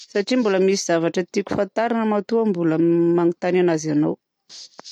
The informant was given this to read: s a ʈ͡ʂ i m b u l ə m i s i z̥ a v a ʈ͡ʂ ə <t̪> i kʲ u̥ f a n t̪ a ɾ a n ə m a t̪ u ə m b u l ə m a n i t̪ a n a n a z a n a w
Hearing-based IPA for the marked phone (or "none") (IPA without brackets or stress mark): t̪